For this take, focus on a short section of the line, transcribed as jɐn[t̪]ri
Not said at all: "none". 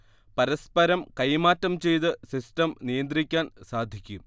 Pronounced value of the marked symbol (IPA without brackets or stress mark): d̪